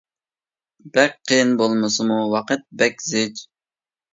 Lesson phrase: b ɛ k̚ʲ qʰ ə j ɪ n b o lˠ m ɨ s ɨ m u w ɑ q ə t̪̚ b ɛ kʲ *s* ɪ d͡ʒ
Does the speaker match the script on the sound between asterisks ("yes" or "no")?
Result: no